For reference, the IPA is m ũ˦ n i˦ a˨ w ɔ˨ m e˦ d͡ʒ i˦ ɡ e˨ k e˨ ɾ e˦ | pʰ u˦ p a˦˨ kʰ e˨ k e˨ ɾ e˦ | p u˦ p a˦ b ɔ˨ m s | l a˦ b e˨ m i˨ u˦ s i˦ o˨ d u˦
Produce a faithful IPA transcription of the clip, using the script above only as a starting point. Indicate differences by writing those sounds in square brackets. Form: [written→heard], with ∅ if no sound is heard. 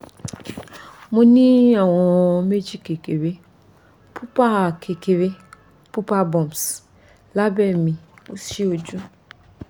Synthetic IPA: m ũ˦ n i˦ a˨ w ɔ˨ m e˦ d͡ʒ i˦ [ɡ→k] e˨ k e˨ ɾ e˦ | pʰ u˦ p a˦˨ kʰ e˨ k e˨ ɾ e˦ | p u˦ p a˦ b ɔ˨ m s | l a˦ b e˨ m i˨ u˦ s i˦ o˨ [d→d͡ʒ] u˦